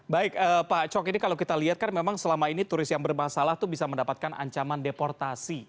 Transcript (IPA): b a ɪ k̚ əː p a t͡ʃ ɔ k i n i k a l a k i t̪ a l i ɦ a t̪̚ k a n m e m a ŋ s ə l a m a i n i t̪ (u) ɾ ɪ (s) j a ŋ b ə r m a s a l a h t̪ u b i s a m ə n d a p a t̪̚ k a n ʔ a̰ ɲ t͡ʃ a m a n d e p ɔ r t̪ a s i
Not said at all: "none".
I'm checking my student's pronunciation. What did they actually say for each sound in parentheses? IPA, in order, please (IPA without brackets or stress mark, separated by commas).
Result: u, s